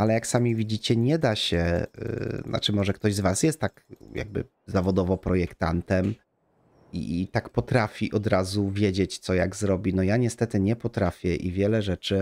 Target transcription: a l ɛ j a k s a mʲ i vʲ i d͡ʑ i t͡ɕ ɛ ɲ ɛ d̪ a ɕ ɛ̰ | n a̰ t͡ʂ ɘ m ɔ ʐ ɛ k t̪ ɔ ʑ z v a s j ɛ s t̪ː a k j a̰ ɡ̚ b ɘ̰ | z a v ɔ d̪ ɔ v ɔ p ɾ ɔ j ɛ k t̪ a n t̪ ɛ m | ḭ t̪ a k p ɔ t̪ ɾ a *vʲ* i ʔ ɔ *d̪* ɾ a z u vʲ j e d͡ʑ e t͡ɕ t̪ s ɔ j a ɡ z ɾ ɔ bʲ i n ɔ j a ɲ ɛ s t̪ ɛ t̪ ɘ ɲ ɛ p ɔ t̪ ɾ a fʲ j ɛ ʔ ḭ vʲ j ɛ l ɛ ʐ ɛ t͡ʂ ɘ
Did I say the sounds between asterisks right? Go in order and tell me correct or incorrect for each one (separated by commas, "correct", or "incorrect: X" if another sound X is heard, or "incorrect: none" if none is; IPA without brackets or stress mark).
incorrect: fʲ, correct